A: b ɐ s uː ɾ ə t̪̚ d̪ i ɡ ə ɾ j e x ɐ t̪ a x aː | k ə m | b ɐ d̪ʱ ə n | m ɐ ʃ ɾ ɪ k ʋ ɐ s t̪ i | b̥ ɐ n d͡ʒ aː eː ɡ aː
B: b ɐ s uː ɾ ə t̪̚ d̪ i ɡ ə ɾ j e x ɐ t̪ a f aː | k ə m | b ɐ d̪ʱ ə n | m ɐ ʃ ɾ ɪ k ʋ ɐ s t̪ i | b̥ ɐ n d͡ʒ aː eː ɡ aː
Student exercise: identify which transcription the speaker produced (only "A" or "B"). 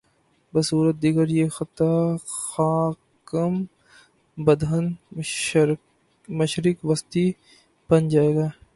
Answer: A